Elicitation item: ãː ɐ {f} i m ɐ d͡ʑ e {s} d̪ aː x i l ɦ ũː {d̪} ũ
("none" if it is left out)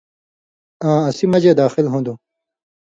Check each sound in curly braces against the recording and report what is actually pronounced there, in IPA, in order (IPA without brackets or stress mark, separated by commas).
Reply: s, none, d̪